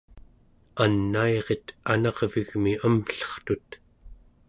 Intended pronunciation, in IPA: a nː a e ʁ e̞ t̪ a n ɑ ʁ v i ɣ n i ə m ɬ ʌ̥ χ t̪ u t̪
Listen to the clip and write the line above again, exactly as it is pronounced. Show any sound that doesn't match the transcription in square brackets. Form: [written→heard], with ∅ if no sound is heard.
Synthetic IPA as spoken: a nː a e ʁ e̞ t̪ a n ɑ ʁ v i ɣ [n→m] i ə m ɬ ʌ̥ χ t̪ u t̪